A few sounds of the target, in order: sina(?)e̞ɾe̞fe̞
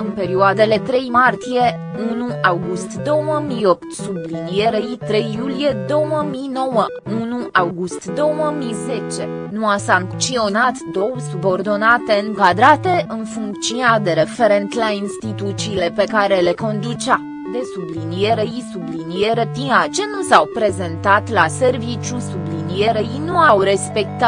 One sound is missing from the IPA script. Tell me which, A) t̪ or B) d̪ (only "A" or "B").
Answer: B